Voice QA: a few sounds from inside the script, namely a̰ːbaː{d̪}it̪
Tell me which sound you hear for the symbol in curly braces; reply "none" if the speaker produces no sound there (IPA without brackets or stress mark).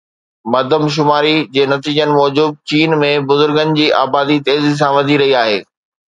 d̪